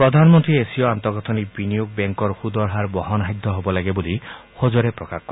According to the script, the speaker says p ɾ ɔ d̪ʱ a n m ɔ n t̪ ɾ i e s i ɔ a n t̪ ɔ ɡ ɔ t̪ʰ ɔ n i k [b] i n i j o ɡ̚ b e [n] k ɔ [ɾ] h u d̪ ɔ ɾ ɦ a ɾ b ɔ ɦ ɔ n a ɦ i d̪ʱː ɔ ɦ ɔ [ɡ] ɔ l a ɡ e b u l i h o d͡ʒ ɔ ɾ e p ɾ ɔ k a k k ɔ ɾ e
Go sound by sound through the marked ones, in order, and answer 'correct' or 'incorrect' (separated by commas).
correct, incorrect, correct, incorrect